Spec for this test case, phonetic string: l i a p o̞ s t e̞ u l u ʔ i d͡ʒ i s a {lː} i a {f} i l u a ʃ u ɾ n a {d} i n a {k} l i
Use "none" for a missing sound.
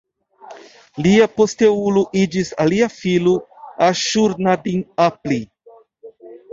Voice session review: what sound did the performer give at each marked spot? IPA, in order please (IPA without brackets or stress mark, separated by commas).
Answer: l, f, d, p